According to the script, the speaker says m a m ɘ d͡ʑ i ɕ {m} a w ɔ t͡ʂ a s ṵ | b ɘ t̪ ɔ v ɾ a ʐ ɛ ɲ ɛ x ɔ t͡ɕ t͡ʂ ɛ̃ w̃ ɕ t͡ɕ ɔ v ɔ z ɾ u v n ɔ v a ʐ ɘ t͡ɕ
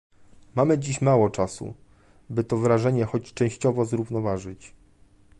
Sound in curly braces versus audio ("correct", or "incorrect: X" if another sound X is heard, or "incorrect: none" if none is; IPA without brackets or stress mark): correct